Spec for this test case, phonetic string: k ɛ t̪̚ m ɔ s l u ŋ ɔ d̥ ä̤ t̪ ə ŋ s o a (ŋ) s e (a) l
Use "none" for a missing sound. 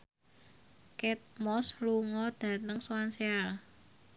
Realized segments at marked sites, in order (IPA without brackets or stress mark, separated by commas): n, a